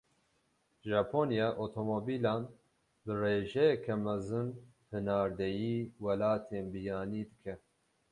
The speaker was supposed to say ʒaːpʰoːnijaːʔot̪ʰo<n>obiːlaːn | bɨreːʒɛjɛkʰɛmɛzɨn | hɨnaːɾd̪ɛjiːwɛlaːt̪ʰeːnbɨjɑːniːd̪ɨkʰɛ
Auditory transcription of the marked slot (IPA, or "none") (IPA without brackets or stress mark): m